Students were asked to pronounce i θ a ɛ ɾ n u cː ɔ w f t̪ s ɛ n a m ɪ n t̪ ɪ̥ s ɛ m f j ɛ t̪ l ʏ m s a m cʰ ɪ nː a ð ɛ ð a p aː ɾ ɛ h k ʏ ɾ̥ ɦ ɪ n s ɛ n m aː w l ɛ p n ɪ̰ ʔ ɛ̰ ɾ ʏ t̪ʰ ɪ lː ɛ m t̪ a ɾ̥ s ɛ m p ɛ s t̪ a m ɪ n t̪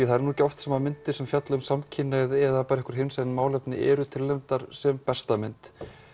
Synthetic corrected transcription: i θ a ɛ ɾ n u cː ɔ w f t̪ s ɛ m a m ɪ n t̪ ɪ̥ s ɛ m f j a t̪ l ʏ m s a m cʰ ɪ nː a ð ɛ ð a p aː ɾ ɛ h k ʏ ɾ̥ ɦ ɪ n s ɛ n m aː w l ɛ p n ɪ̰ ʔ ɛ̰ ɾ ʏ t̪ʰ ɪ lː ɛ m t̪ a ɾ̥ s ɛ m p ɛ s t̪ a m ɪ n t̪